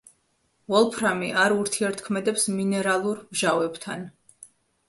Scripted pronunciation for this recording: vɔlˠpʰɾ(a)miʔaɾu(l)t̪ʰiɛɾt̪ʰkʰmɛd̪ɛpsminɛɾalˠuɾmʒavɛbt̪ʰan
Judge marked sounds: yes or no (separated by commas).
yes, no